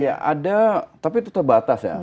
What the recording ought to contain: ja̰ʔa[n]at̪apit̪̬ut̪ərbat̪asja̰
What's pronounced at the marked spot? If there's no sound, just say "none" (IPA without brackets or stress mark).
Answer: d